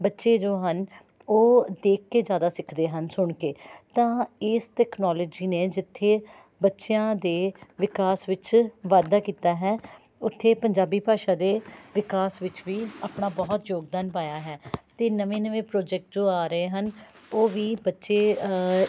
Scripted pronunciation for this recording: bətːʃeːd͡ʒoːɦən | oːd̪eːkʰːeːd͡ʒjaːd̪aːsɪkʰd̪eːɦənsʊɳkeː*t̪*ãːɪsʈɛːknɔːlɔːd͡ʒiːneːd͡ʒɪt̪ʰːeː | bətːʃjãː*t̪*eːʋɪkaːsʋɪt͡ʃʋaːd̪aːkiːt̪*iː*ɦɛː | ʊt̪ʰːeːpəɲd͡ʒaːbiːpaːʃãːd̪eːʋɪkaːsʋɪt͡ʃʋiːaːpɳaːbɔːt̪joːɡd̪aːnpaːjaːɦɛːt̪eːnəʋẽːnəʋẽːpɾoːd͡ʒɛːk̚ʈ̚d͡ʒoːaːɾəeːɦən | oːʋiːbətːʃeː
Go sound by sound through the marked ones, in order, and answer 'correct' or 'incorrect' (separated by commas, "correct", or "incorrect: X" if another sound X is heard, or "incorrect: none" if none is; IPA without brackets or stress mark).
correct, incorrect: d̪, incorrect: aː